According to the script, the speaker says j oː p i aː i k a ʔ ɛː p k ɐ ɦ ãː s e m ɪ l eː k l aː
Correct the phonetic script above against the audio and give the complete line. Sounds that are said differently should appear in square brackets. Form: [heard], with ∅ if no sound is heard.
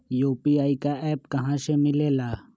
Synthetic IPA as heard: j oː p i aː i k a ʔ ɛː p k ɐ ɦ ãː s e m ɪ l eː [∅] l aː